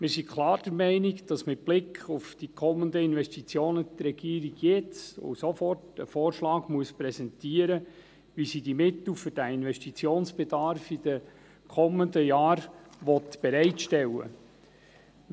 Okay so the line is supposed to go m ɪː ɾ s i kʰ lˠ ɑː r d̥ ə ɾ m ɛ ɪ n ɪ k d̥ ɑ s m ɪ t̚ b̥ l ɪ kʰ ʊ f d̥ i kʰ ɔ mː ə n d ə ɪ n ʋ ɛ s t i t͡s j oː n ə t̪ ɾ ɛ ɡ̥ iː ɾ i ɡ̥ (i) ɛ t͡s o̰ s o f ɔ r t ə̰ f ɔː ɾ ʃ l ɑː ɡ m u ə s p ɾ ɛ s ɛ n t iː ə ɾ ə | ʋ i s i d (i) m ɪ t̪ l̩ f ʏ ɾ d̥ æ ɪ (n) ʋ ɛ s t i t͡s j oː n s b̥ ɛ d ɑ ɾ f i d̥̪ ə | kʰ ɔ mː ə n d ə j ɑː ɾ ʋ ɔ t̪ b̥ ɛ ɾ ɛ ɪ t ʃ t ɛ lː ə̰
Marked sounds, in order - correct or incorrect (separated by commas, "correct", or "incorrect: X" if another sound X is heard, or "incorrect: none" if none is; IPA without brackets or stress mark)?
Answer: incorrect: j, correct, correct